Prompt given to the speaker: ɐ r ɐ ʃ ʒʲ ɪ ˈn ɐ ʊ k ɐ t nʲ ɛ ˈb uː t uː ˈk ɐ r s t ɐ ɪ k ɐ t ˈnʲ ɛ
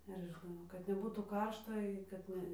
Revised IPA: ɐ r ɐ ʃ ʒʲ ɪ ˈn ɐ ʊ k ɐ t nʲ ɛ ˈb uː t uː ˈk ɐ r ʃ t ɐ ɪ k ɐ t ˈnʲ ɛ